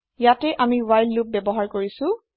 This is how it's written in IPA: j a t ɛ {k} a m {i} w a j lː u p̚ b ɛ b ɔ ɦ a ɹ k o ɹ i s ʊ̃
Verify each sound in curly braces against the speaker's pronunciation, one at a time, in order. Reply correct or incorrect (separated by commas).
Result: incorrect, correct